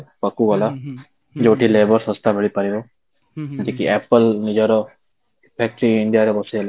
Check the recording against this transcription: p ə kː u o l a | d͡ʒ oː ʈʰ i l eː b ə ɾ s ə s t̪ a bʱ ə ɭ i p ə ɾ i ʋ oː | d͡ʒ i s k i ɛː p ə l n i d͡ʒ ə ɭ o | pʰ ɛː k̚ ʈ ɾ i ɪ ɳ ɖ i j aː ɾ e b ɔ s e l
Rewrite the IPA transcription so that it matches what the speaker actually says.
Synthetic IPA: p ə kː u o l a | d͡ʒ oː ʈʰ i l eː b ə ɾ s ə s t̪ a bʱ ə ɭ i p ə ɾ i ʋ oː | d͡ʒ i k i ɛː p ə l n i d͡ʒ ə ɾ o | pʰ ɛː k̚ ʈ ɾ i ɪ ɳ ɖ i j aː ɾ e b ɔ s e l